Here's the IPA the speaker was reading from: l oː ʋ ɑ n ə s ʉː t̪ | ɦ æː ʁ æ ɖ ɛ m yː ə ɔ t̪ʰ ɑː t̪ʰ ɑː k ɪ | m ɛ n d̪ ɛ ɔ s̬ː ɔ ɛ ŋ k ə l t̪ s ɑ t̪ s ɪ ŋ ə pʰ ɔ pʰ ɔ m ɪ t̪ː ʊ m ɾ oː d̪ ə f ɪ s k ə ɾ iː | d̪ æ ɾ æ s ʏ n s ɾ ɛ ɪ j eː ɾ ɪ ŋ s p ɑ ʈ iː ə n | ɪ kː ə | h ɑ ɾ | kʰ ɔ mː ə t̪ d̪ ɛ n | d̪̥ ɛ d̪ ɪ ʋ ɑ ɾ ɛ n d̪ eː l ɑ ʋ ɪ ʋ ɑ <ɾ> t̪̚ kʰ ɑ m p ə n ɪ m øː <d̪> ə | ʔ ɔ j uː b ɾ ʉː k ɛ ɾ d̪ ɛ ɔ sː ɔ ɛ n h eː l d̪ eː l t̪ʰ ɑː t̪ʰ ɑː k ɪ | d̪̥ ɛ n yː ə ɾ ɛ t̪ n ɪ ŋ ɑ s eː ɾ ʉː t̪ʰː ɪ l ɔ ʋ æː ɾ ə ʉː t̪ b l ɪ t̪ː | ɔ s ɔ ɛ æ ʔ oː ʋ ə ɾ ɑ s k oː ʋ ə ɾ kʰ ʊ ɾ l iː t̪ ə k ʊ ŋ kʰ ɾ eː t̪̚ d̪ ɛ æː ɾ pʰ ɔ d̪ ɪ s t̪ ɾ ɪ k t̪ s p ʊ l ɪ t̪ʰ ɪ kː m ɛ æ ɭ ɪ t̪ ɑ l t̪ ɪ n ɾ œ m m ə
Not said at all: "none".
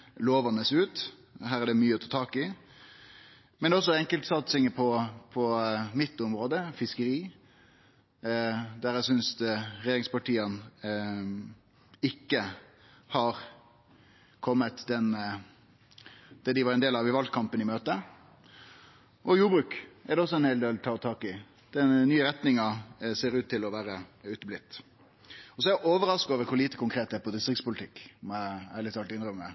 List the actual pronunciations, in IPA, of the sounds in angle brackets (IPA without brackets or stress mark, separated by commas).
l, t̪